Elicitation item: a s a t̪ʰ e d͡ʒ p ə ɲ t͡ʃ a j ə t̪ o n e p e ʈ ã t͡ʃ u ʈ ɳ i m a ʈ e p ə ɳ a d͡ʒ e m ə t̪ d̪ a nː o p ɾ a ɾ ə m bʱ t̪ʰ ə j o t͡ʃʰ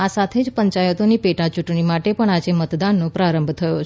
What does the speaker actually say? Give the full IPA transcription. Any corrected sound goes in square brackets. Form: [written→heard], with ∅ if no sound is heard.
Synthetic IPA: a s a t̪ʰ e d͡ʒ p ə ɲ t͡ʃ a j ə t̪ o n [e→i] p e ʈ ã t͡ʃ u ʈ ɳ i m a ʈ e p ə ɳ a d͡ʒ e m ə t̪ d̪ a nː o p ɾ a ɾ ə m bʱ t̪ʰ ə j o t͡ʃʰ